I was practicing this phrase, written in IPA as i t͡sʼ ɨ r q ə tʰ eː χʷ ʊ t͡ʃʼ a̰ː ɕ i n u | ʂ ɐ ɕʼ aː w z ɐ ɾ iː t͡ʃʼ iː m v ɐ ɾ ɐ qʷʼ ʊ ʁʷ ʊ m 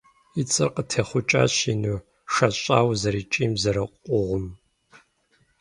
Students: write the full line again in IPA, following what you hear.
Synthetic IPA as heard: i t͡sʼ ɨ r q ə tʰ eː χʷ ʊ t͡ʃʼ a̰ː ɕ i n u | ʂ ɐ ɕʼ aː w z ɐ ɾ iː t͡ʃʼ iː m z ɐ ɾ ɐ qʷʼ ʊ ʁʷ ʊ m